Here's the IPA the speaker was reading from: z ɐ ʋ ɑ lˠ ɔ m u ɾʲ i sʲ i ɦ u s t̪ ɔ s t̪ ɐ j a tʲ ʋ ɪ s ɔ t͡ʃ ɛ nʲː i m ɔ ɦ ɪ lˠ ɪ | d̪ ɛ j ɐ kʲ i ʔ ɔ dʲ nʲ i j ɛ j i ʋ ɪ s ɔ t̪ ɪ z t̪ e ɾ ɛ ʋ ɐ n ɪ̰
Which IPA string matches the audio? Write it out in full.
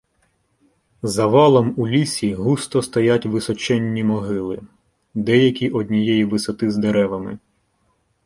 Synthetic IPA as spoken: z ɐ ʋ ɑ lˠ ɔ m u lʲ i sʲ i ɦ u s t̪ ɔ s t̪ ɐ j a tʲ ʋ ɪ s ɔ t͡ʃ ɛ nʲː i m ɔ ɦ ɪ lˠ ɪ | d̪ ɛ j ɐ kʲ i ʔ ɔ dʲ nʲ i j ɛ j i ʋ ɪ s ɔ t̪ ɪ z d̪ e ɾ ɛ ʋ ɐ m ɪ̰